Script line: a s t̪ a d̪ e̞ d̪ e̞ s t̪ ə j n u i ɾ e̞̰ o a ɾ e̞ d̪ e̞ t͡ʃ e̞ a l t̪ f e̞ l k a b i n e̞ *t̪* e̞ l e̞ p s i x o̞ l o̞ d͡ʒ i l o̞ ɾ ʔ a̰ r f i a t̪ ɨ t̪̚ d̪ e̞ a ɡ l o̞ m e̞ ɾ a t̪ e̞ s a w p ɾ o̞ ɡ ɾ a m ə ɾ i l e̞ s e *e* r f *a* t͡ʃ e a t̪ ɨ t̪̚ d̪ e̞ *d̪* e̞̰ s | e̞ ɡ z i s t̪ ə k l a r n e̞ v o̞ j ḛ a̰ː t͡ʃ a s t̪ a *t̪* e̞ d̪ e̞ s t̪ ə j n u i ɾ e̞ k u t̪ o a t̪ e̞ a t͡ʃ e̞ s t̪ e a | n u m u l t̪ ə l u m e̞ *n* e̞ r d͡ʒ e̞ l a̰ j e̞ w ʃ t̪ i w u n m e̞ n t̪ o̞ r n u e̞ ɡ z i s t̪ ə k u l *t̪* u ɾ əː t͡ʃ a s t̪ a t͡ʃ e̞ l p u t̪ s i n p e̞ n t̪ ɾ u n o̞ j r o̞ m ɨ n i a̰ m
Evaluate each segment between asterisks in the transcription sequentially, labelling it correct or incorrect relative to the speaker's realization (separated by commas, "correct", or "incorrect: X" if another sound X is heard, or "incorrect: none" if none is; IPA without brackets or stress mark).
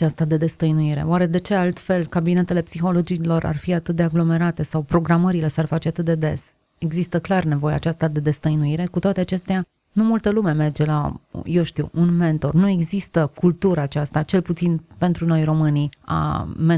correct, incorrect: a, correct, correct, incorrect: d̪, incorrect: m, correct